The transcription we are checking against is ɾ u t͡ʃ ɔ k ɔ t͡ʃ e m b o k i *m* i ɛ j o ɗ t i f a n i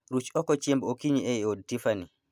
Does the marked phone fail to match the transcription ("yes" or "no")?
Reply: yes